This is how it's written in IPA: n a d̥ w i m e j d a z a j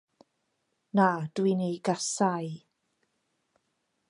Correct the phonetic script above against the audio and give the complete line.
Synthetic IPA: n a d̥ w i n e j ɡ a s a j